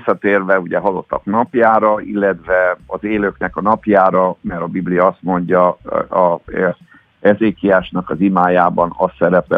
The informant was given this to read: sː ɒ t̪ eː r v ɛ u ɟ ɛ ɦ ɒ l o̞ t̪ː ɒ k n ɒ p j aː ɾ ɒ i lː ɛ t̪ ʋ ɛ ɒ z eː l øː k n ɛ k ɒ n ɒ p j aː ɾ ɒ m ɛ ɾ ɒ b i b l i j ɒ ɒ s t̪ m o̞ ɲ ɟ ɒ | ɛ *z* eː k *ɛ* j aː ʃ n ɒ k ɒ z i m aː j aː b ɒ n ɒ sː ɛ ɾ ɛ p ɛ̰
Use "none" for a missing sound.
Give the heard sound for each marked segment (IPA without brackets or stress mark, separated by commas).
z, i